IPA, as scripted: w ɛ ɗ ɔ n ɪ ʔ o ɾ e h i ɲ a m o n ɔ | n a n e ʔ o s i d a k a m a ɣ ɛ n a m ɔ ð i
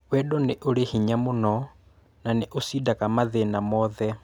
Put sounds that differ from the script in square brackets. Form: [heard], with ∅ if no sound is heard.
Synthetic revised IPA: w ɛ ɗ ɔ n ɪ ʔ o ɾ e h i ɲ a m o n ɔ | n a n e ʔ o s i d a k a m a [ð] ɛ n a m ɔ ð [ɛ]